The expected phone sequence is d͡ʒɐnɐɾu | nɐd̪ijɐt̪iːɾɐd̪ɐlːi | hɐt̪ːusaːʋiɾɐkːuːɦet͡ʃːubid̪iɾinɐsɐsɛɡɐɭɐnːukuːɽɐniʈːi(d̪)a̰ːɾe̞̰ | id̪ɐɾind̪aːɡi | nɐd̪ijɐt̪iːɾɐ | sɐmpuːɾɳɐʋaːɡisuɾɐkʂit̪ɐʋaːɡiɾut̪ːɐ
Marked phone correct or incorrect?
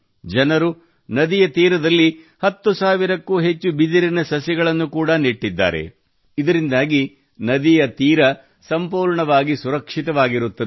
incorrect